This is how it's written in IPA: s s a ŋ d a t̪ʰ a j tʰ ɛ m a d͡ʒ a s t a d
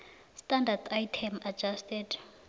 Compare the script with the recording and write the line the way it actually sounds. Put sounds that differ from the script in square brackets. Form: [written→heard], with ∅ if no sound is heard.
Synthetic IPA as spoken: s [s→t] a [ŋ→n] d a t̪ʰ a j tʰ ɛ m a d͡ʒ a s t [a→ɛ] d